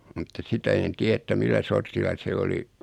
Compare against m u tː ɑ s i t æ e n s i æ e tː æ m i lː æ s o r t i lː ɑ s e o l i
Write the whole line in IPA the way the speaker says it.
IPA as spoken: m u tː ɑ s i t æ e n t i æ e tː æ m i lː æ s o r t i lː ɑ s e o l i